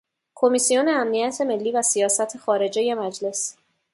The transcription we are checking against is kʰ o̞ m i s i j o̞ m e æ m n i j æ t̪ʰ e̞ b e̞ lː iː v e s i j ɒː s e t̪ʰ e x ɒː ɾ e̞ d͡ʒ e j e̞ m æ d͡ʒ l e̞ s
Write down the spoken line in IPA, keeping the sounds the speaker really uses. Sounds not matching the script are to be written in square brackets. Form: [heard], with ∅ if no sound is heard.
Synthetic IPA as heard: kʰ o̞ m i s i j o̞ [n] e æ m n i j æ t̪ʰ e̞ [m] e̞ lː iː v [æ] s i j ɒː s [æ] t̪ʰ e x ɒː ɾ e̞ d͡ʒ e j e̞ m æ d͡ʒ l e̞ s